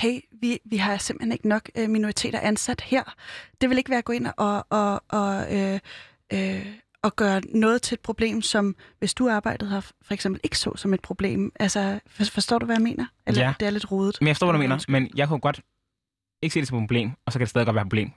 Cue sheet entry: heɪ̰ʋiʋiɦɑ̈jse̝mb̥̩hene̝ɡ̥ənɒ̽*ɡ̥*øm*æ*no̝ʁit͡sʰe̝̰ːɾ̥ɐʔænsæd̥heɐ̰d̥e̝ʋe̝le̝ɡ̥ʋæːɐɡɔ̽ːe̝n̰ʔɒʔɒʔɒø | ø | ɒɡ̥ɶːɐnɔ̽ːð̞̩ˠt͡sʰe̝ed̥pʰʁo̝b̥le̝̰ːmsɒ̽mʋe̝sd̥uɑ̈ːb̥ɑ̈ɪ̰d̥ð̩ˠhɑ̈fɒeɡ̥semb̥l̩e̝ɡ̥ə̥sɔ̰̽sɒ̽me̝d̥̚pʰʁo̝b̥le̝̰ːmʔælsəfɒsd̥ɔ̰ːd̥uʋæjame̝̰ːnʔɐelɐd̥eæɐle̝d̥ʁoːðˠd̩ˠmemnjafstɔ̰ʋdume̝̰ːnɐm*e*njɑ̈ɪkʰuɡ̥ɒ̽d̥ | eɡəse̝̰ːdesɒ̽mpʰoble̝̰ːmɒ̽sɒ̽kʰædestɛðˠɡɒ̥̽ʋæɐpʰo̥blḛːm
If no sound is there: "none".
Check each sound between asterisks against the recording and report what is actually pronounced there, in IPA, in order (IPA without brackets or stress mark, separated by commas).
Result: ɡ̥, i, e